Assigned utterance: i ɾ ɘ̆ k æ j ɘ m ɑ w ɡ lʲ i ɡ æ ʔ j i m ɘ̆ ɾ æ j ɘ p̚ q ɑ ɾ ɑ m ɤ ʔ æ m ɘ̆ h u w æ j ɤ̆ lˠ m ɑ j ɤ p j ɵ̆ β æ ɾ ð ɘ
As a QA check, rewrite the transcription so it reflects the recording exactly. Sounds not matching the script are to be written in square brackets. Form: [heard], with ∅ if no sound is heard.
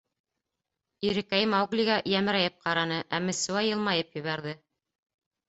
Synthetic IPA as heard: i ɾ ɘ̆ k æ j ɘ m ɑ w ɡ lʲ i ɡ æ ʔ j [æ] m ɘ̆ ɾ æ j ɘ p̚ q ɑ ɾ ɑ [n] ɤ ʔ æ m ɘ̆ [s] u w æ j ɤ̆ lˠ m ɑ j ɤ p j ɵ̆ β æ ɾ ð ɘ